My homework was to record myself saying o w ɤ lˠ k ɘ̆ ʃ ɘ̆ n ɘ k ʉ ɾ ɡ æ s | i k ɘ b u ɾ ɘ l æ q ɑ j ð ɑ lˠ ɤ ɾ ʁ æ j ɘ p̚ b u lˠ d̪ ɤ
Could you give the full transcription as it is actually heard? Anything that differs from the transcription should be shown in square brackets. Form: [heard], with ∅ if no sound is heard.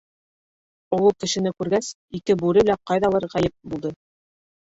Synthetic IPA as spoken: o w ɤ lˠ k ɘ̆ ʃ ɘ̆ n ɘ k ʉ ɾ ɡ æ s | i k ɘ b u ɾ ɘ l æ q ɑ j ð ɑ lˠ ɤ ɾ ʁ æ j ɘ p̚ b u lˠ d̪ ɤ